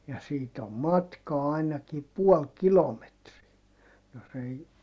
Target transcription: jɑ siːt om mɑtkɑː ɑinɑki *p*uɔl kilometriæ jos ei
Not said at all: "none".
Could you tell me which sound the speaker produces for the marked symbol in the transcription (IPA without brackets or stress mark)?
p